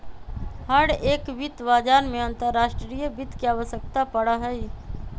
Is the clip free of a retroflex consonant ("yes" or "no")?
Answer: no